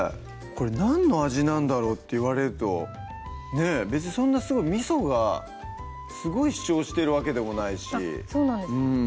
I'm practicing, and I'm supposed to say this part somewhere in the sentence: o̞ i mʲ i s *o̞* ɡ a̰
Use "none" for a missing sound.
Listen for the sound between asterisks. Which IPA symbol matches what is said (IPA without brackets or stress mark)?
o̞